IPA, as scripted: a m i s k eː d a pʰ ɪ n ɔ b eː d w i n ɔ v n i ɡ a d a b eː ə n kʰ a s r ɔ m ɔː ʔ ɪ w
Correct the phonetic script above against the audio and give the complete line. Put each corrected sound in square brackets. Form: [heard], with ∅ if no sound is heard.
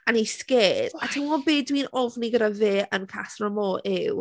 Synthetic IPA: a [n] i s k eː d a [tʰ] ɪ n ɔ b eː d w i n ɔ v n i ɡ [ə] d a [v] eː ə n kʰ a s r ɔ m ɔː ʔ ɪ w